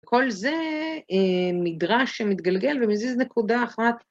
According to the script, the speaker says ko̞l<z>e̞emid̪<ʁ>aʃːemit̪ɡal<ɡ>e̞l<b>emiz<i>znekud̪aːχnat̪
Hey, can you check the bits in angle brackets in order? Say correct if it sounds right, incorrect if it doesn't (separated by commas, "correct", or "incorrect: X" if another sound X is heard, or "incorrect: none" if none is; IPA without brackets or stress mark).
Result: correct, correct, correct, incorrect: v, correct